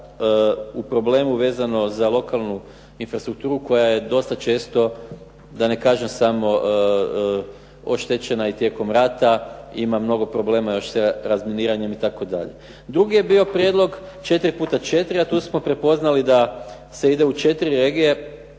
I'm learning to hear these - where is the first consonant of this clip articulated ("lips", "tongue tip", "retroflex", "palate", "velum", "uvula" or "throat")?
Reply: lips